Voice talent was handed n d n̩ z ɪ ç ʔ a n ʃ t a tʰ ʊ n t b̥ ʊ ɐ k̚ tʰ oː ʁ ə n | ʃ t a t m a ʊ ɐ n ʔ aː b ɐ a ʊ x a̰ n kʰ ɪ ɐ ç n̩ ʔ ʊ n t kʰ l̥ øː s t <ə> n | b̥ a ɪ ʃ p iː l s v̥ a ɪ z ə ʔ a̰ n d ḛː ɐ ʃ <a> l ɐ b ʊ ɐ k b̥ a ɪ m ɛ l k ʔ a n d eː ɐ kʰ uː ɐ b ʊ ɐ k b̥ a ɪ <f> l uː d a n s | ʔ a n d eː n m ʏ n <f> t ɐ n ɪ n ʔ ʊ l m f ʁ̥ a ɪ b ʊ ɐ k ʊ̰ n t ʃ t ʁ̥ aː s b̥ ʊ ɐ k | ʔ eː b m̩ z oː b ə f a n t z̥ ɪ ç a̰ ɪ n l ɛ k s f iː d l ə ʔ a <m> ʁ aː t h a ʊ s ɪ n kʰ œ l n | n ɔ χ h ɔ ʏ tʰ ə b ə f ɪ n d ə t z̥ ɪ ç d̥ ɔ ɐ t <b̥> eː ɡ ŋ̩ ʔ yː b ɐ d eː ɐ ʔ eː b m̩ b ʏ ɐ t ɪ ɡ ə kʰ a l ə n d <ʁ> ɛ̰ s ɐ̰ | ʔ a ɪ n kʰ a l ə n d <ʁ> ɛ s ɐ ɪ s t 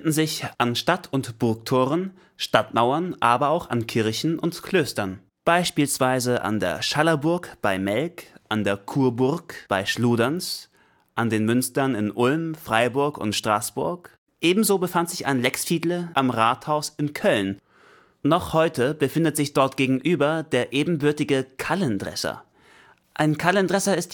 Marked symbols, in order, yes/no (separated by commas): no, yes, no, no, yes, no, yes, yes